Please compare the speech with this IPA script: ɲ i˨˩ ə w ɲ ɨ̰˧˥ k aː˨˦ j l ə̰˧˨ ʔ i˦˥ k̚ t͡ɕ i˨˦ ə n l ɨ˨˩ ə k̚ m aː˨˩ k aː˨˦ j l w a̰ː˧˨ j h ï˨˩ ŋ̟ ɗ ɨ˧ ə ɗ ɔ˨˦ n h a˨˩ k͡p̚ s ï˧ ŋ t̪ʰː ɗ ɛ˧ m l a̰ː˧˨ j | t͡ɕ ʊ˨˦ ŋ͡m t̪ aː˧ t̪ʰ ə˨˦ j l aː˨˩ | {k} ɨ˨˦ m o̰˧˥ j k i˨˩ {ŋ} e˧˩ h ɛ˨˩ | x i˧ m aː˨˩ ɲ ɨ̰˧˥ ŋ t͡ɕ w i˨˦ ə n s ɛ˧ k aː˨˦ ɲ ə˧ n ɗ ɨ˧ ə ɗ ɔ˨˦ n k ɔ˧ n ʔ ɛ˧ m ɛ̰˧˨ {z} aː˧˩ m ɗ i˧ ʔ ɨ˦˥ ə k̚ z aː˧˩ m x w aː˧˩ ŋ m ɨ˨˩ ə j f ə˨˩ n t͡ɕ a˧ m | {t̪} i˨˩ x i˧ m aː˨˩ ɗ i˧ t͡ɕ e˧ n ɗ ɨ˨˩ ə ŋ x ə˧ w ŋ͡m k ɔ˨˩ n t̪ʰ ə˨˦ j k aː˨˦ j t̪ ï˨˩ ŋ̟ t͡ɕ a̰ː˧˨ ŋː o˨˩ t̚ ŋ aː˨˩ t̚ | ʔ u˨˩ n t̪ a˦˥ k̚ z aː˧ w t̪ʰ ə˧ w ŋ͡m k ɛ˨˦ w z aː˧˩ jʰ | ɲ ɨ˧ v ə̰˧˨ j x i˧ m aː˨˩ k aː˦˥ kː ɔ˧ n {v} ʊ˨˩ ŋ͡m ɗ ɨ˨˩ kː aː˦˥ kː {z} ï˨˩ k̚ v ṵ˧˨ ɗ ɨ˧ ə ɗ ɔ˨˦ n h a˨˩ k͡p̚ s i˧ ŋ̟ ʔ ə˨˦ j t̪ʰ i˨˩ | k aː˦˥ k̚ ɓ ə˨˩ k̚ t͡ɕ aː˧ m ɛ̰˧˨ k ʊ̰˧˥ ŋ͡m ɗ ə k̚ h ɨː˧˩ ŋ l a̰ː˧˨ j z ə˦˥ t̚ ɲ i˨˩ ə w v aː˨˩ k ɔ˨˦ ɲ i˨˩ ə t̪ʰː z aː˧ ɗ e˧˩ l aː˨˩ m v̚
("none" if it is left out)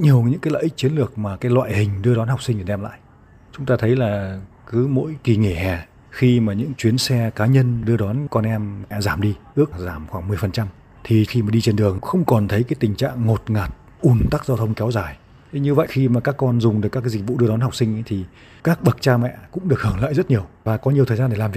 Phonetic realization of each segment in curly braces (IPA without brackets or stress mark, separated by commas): k, ŋ, z, t̪ʰ, z, z